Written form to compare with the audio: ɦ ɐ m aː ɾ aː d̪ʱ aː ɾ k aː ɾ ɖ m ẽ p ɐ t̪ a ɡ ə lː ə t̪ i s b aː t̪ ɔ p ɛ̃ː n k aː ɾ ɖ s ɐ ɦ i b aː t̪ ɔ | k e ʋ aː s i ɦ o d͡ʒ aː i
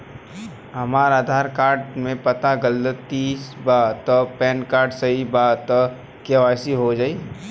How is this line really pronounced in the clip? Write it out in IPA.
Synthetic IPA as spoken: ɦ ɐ m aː ɾ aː d̪ʱ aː ɾ k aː ɾ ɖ m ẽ p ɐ t̪ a ɡ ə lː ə t̪ i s b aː t̪ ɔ p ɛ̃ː n k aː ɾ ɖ s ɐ ɦ i b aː t̪ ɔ | k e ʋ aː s i ɦ o d͡ʒ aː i